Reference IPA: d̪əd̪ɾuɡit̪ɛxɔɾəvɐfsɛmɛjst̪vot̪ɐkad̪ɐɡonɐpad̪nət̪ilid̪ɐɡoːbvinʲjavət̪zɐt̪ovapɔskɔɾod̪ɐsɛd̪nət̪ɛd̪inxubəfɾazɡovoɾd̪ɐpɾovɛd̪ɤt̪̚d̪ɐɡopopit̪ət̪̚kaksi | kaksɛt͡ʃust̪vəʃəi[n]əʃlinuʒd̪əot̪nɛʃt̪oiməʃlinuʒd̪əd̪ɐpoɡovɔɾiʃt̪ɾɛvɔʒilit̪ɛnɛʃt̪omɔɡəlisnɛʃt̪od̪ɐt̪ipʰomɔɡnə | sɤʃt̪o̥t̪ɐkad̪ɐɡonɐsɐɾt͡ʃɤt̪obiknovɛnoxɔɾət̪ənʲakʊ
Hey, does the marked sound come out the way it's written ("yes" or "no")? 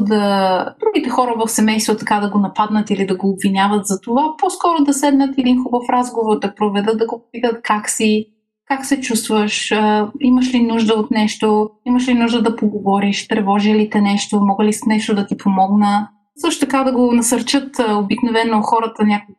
no